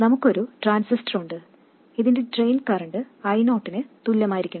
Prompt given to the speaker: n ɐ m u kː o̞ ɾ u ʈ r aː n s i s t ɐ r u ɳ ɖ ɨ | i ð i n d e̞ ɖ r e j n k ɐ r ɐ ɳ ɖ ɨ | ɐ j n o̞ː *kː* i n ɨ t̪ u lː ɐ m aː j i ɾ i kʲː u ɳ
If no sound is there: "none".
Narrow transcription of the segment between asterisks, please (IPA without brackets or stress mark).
ʈː